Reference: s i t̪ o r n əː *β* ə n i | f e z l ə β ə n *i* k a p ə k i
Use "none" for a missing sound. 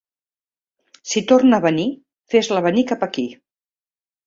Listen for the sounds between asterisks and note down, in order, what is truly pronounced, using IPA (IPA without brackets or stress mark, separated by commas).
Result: β, i